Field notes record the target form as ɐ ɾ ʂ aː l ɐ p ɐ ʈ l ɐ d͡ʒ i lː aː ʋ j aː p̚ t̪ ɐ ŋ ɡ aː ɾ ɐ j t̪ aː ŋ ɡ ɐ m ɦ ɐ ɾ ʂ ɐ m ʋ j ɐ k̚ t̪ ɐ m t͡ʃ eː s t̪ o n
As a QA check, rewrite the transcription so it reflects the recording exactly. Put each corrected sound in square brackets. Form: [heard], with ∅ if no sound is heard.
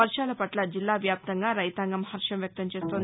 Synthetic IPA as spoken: ɐ ɾ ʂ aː l ɐ p ɐ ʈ l ɐ d͡ʒ i lː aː ʋ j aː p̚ t̪ ɐ ŋ ɡ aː ɾ ɐ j t̪ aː ŋ ɡ ɐ m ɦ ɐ ɾ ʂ ɐ m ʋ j ɐ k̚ t̪ ɐ m t͡ʃ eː s t̪ o n